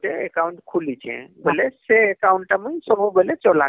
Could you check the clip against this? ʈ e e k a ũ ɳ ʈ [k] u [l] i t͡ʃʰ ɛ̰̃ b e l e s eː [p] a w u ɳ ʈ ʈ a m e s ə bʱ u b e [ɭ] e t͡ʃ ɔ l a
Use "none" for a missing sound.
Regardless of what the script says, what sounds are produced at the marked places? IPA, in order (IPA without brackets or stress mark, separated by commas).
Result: kʰ, l, k, l